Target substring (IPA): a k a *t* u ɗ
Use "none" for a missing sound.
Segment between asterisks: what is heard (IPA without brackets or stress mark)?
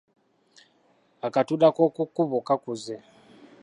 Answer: t